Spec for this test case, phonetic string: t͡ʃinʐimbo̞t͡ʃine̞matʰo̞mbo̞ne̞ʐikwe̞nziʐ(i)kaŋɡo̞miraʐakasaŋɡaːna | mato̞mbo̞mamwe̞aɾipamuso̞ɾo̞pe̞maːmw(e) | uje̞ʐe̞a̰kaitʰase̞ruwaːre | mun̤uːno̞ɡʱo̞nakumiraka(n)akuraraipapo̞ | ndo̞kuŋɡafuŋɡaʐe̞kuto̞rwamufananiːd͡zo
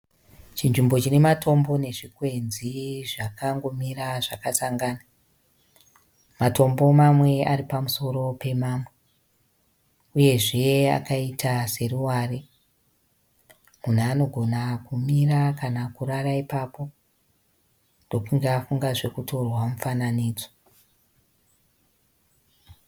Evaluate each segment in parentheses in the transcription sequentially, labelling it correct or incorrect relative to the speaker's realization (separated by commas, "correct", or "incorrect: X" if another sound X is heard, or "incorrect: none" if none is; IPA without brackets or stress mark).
incorrect: a, correct, correct